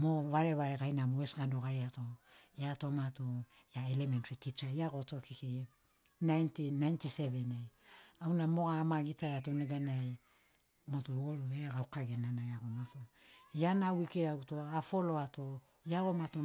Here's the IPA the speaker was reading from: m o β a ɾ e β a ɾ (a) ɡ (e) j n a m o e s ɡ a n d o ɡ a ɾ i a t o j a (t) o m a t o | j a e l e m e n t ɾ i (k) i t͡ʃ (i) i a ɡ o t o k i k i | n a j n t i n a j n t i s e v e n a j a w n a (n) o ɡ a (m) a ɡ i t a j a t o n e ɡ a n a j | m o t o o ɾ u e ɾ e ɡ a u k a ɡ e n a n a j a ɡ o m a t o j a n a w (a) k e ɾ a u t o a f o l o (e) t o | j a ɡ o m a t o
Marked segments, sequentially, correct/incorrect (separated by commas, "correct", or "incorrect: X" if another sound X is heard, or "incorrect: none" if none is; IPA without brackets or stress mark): incorrect: e, incorrect: a, correct, incorrect: t, incorrect: a, incorrect: m, correct, incorrect: i, incorrect: a